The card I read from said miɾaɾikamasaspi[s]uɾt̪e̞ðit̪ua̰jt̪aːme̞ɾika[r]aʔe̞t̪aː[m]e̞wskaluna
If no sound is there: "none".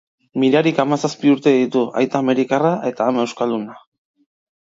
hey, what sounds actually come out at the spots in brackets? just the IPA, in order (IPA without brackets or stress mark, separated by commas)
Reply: none, r, m